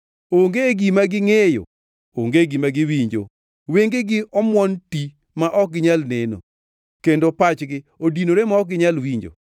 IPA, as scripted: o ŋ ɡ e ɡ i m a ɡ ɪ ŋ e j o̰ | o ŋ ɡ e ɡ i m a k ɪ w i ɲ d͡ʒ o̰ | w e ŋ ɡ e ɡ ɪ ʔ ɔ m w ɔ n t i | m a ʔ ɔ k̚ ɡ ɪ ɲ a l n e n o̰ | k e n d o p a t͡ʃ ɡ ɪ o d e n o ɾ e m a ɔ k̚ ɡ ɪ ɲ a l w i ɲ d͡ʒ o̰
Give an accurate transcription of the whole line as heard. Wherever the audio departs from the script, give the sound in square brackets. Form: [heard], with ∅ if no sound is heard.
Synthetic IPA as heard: o ŋ ɡ e ɡ i m a ɡ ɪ ŋ e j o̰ | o ŋ ɡ e ɡ i m a [ɡ] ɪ w i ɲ d͡ʒ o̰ | w e ŋ ɡ e ɡ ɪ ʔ ɔ m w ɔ n t i | m a ʔ ɔ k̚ ɡ ɪ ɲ a l n e n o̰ | k e n d o p a t͡ʃ ɡ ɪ o d [i] n o ɾ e m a ɔ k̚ ɡ ɪ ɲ a l w i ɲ d͡ʒ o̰

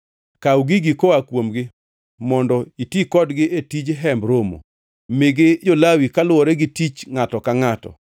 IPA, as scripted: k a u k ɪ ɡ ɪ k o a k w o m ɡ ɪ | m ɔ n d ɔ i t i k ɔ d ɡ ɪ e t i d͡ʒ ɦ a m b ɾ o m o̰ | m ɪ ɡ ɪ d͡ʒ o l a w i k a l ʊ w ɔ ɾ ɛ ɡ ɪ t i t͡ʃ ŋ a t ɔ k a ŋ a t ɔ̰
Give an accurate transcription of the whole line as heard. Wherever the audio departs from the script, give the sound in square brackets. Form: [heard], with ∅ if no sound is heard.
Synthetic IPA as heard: k a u [ɡ] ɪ ɡ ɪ k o a k w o m ɡ ɪ | m ɔ n d ɔ i t i k ɔ d ɡ ɪ e t i d͡ʒ ɦ [ɛ] m b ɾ o m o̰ | m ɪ ɡ ɪ d͡ʒ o l a w i k a l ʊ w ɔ ɾ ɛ ɡ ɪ t i t͡ʃ ŋ a t ɔ k a ŋ a t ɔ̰

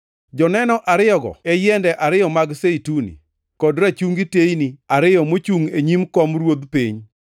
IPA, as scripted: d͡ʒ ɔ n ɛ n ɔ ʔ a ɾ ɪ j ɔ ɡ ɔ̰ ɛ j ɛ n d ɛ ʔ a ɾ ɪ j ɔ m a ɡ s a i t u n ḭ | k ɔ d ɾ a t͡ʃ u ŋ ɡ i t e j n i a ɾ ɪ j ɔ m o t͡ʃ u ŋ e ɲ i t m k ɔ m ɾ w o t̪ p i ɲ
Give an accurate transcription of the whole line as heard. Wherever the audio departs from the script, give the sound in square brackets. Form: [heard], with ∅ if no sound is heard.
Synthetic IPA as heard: d͡ʒ ɔ n ɛ n ɔ ʔ a ɾ ɪ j ɔ ɡ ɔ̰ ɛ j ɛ n d ɛ ʔ a ɾ ɪ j ɔ m a ɡ s [e] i t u n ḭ | k ɔ d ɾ a t͡ʃ u ŋ ɡ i t e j n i a ɾ ɪ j ɔ m o t͡ʃ u ŋ e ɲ i [∅] m k ɔ m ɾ w o [d̪] p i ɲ

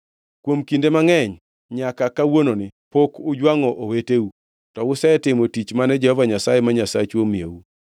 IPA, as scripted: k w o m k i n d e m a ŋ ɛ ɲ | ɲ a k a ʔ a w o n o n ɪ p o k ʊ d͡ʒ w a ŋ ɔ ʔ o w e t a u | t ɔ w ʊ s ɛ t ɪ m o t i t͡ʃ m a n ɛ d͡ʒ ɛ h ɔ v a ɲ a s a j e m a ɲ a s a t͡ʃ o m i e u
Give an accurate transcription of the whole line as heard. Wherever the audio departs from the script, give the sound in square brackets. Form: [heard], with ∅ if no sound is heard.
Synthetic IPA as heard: k w o m k i n d e m a ŋ ɛ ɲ | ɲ a k a [k] a w o n o n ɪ p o k ʊ d͡ʒ w a ŋ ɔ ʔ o w e t [e] u | t ɔ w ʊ s ɛ t ɪ m o t i t͡ʃ m a n ɛ d͡ʒ ɛ h ɔ v a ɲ a s a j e m a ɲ a s a t͡ʃ o m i e u

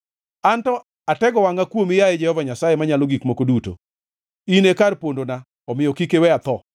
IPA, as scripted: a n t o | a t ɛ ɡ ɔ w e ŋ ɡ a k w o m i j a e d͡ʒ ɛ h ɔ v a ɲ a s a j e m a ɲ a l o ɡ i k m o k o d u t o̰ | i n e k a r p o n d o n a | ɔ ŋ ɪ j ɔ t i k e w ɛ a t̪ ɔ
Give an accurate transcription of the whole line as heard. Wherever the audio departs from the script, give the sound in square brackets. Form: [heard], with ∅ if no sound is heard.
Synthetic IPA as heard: a n t [ɔ] | a t ɛ ɡ ɔ w [a] ŋ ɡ a k w o m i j a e d͡ʒ ɛ h ɔ v a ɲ a s a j e m a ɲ a l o ɡ i k m o k o d u t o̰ | i n e k a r p o n d o n a | ɔ [m] ɪ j ɔ [k] i k e w ɛ a t̪ ɔ

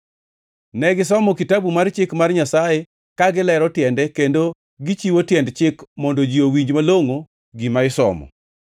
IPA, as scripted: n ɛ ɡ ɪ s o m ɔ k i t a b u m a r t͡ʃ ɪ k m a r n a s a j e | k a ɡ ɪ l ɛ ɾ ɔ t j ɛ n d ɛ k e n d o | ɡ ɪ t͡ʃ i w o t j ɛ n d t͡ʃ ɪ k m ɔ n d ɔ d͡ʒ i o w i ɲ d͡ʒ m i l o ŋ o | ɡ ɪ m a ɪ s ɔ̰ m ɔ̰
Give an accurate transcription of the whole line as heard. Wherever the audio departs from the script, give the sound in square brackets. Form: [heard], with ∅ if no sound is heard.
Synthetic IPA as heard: n ɛ ɡ ɪ s [ɔ] m ɔ k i t a b u m a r t͡ʃ ɪ k m a r [ɲ] a s a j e | k a ɡ ɪ l ɛ ɾ ɔ t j ɛ n d ɛ k e n d o | ɡ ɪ t͡ʃ i w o t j ɛ n d t͡ʃ ɪ k m ɔ n d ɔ d͡ʒ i o w i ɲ d͡ʒ m [a] l o ŋ o | ɡ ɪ m a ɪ s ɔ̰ m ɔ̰

